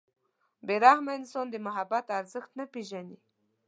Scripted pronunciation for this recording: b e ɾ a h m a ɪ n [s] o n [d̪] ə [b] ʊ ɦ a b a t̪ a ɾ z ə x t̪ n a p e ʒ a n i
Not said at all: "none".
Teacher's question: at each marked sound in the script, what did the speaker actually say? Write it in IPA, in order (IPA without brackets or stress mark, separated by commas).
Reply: s, d̪, m